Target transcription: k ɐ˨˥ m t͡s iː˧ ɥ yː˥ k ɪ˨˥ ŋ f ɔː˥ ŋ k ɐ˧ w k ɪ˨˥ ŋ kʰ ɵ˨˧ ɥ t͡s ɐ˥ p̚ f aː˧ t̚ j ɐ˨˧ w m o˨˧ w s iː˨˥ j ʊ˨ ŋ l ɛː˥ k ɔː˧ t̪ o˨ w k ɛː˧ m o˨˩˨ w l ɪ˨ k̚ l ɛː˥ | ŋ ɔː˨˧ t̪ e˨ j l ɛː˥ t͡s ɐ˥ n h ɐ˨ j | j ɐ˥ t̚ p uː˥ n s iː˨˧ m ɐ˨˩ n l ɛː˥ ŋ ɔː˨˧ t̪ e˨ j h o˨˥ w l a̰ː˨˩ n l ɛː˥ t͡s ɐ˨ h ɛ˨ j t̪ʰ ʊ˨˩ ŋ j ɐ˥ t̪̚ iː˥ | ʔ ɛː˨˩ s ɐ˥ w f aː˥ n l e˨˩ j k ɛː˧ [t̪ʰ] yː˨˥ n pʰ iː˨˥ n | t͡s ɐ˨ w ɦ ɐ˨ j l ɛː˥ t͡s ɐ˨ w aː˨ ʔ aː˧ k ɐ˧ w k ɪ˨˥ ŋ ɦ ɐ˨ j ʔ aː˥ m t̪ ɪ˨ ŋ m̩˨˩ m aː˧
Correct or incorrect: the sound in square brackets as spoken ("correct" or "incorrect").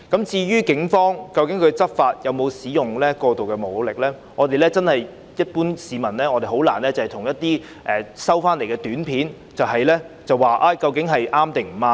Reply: incorrect